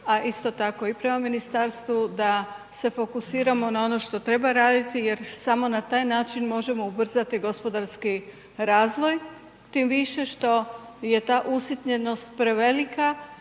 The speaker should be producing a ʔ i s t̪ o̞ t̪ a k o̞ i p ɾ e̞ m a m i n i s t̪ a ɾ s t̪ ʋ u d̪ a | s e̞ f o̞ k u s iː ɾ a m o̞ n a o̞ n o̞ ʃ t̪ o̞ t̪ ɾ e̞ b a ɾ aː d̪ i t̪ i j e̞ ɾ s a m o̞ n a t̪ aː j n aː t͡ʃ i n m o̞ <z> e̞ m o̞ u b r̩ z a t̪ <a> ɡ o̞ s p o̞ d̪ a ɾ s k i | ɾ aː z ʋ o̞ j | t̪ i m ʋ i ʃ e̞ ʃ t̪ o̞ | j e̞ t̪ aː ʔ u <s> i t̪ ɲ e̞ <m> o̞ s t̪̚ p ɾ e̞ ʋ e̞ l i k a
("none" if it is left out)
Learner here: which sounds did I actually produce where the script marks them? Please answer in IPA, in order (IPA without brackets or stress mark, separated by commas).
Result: ʒ, i, s, n